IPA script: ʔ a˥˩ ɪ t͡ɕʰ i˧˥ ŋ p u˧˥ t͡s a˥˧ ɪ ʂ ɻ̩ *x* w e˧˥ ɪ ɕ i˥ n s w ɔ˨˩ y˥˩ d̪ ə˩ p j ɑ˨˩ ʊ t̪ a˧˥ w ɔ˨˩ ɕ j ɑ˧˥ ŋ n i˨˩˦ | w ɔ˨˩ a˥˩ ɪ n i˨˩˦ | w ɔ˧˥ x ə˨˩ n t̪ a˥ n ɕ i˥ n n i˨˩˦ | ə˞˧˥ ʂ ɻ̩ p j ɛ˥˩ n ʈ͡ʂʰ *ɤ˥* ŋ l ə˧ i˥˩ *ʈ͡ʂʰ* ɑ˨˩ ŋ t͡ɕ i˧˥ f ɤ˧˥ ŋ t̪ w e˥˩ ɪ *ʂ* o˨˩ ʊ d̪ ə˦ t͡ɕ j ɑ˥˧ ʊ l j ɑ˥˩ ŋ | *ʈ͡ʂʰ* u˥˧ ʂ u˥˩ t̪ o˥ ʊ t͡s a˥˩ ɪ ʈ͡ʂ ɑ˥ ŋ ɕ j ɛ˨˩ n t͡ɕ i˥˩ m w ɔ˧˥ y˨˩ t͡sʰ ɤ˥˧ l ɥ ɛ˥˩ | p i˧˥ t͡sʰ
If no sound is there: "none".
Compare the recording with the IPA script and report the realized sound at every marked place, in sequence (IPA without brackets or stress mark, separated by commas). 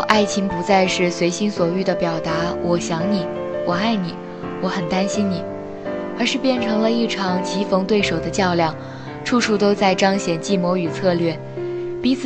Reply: s, ɤ˧˥, ʈ͡ʂʰ, ʂ, ʈ͡ʂʰ